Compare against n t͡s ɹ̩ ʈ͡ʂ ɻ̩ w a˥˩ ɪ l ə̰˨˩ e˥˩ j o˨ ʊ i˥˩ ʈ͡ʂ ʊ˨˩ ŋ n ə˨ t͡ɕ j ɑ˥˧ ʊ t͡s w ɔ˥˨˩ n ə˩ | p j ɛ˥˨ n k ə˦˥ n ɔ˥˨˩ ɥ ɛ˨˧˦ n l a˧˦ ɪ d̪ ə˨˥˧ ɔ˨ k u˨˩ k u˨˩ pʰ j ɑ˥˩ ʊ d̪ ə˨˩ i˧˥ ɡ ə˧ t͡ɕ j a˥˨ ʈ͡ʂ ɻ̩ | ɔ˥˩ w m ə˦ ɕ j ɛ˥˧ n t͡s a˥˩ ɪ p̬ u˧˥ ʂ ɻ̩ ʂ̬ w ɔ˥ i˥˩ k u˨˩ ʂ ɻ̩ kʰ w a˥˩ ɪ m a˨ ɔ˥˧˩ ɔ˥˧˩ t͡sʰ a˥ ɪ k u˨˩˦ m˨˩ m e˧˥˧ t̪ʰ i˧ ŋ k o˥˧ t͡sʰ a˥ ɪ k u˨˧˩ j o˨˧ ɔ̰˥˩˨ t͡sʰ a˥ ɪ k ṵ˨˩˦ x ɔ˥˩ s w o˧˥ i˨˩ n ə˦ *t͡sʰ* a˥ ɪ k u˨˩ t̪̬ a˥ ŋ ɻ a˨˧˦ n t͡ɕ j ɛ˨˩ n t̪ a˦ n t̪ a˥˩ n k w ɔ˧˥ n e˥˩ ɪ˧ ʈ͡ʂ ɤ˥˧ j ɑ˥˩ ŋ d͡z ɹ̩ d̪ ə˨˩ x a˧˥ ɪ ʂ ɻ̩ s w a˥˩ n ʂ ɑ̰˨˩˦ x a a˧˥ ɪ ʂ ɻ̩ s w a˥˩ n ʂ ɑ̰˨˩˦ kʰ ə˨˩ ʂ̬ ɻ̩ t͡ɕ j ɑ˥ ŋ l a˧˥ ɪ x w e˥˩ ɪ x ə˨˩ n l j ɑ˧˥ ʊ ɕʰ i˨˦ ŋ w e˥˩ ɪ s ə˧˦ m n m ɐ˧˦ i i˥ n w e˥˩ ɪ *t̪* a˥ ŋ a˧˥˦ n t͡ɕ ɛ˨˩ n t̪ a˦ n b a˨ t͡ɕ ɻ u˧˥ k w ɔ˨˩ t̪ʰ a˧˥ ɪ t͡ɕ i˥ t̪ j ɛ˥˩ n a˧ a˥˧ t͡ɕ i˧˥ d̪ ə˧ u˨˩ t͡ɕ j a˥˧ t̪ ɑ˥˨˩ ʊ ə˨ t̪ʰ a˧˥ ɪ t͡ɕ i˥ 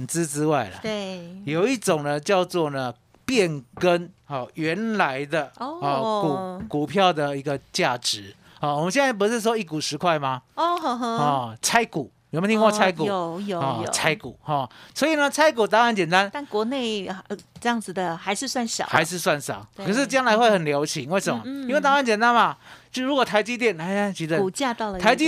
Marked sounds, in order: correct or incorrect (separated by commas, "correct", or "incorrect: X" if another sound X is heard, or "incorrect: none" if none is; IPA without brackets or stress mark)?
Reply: correct, correct